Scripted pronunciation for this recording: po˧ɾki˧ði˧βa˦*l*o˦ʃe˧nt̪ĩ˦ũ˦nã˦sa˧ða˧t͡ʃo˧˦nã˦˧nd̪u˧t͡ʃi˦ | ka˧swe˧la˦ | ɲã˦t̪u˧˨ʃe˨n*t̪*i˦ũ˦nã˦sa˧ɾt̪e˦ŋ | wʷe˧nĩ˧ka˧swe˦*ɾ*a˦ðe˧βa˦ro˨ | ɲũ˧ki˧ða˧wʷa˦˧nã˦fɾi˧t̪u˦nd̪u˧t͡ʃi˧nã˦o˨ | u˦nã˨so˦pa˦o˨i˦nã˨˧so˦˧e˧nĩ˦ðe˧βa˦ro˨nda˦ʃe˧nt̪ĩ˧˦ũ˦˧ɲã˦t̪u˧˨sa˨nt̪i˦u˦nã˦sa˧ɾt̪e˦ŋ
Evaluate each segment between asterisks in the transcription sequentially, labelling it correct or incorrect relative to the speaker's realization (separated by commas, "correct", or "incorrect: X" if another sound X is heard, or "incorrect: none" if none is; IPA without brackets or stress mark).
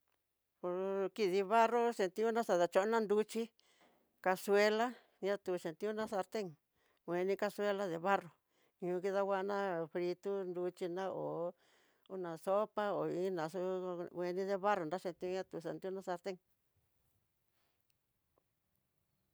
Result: incorrect: r, correct, incorrect: l